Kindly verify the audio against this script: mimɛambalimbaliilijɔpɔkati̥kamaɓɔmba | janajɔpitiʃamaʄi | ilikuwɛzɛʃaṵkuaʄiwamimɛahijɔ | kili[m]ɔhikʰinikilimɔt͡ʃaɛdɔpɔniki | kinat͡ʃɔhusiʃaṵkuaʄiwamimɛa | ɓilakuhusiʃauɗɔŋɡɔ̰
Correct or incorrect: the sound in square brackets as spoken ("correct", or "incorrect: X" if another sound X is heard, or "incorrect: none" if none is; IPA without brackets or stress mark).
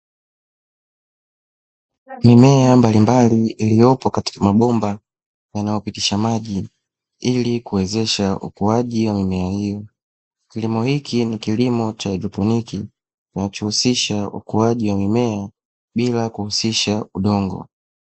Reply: correct